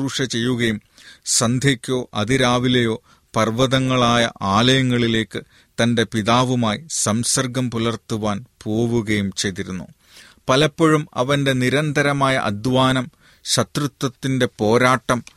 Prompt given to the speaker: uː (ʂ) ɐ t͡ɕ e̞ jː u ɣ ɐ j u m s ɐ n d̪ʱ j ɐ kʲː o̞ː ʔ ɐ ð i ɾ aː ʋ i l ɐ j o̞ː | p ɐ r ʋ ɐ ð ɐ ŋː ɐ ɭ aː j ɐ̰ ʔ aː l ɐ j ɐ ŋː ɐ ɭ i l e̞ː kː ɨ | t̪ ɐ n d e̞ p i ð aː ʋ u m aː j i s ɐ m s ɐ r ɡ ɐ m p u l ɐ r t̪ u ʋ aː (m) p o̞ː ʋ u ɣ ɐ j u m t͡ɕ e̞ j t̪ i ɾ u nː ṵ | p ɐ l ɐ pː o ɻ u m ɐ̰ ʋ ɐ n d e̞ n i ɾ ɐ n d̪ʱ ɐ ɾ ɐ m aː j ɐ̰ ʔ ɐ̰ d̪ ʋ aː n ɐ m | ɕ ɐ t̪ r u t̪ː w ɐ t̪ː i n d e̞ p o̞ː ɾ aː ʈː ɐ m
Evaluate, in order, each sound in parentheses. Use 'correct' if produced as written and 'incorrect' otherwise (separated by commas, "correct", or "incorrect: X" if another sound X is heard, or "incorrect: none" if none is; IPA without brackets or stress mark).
correct, incorrect: n